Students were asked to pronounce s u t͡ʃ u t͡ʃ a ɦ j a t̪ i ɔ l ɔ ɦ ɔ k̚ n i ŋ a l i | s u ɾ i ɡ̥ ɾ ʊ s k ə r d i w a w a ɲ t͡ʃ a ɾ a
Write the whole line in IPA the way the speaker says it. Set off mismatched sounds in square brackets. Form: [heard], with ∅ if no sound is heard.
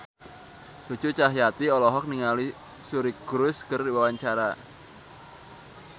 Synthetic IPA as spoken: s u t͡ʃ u t͡ʃ a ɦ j a t̪ i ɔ l ɔ ɦ ɔ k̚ n i ŋ a l i | s u ɾ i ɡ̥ ɾ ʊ s k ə r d i w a w a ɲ t͡ʃ a ɾ a